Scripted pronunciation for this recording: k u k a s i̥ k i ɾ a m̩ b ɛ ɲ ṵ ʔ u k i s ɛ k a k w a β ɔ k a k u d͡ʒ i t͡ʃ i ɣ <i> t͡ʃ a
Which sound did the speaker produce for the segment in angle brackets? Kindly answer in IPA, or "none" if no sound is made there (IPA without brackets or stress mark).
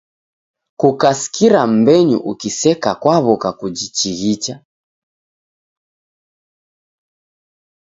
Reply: i